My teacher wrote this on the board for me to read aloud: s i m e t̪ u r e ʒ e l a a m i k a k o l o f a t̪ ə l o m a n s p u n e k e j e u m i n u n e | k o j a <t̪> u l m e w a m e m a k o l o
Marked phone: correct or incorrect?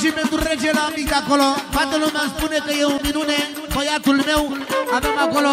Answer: correct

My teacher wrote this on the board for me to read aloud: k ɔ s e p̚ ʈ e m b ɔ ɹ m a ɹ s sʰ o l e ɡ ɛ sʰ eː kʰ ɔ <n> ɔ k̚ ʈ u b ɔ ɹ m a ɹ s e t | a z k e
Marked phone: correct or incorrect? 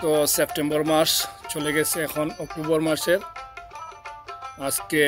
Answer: correct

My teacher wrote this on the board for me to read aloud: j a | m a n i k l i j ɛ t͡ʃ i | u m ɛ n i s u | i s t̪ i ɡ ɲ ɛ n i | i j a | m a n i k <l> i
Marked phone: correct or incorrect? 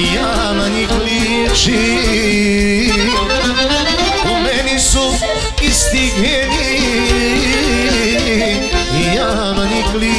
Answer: correct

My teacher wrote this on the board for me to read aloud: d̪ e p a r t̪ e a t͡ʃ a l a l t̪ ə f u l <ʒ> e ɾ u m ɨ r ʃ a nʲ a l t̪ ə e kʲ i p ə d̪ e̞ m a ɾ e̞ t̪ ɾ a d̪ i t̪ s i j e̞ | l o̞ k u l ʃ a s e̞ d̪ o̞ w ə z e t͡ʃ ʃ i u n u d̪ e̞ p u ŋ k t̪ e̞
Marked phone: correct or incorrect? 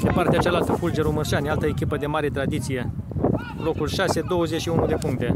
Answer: incorrect: d͡ʒ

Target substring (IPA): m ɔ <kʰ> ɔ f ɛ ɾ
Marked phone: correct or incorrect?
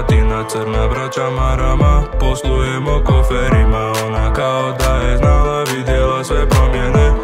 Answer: incorrect: k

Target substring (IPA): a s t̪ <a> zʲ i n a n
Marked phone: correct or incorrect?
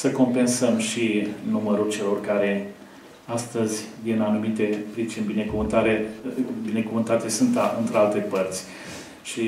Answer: incorrect: ə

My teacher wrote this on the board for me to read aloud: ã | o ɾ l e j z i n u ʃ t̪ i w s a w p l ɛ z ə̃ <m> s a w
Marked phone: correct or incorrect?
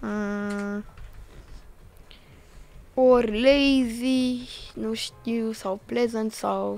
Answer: incorrect: n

